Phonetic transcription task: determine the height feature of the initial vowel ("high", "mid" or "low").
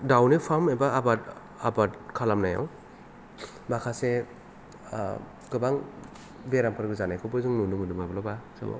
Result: low